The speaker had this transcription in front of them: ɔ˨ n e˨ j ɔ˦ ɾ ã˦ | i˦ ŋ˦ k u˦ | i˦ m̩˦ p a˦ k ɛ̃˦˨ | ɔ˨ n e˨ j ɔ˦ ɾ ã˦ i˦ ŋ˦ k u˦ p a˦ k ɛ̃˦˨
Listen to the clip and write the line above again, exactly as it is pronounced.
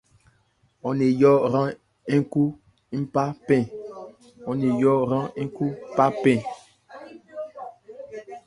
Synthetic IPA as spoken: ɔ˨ n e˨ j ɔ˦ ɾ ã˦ | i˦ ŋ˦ k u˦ | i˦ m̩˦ p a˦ p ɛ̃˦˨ | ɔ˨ n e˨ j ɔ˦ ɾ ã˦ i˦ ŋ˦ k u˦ p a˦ p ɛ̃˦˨